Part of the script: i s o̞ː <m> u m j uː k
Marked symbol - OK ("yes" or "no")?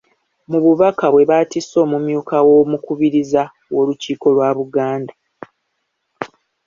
yes